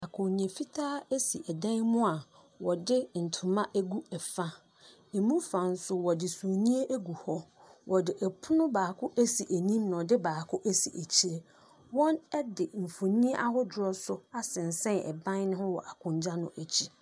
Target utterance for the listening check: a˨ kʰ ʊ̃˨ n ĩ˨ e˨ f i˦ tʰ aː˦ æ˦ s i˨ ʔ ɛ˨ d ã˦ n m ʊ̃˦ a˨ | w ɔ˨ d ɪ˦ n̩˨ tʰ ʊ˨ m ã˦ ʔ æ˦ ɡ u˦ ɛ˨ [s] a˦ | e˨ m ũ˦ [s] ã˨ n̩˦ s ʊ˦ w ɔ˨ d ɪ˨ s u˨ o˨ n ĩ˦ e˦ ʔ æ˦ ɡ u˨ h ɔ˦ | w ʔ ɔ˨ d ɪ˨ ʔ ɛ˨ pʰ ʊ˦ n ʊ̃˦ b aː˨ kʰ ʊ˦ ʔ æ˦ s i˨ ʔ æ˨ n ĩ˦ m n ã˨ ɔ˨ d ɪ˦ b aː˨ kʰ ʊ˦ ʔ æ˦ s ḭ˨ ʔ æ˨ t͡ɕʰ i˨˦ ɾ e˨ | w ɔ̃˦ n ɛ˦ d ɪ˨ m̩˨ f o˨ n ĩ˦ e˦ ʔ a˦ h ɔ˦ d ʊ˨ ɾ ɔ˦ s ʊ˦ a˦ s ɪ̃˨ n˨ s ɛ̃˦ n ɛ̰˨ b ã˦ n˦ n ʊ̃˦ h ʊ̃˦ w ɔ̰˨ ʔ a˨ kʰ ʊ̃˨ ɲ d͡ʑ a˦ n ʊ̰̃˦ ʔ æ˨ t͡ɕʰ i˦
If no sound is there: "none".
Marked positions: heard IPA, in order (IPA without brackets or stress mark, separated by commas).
f, f